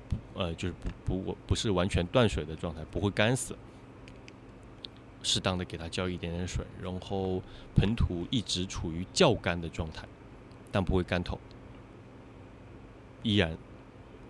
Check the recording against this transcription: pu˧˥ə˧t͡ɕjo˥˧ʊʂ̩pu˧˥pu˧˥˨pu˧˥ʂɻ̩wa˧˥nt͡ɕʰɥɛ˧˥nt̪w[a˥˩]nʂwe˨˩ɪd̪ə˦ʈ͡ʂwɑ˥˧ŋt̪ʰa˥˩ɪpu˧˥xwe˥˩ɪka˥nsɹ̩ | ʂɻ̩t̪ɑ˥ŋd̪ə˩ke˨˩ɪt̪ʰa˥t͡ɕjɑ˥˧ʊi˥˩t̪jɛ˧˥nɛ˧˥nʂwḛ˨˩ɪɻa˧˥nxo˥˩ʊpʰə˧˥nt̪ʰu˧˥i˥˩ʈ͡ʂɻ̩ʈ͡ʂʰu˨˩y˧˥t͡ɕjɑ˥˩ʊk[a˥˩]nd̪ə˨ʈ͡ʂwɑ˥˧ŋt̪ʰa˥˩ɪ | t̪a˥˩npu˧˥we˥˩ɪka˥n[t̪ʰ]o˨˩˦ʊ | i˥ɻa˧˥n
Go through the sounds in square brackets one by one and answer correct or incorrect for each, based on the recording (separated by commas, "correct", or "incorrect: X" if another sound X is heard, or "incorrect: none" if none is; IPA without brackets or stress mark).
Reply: correct, incorrect: a˥, correct